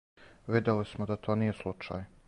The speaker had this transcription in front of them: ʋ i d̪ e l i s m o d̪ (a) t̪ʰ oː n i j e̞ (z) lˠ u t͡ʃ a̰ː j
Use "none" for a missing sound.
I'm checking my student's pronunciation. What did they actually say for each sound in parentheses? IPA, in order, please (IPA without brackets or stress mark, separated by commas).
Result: a, s